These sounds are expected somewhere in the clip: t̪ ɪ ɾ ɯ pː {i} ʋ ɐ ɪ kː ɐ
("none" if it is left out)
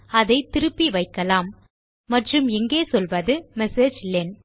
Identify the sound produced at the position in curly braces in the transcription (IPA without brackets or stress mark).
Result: i